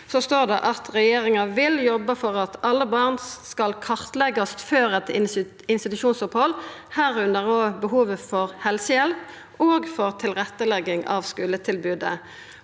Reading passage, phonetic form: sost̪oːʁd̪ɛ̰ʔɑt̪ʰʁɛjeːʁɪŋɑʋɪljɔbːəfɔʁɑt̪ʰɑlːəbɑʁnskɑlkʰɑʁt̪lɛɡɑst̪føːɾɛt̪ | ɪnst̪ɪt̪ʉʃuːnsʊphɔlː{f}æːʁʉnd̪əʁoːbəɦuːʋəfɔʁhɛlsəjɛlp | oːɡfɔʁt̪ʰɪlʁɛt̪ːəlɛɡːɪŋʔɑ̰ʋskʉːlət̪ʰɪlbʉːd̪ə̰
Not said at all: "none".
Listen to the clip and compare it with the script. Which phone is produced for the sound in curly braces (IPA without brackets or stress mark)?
h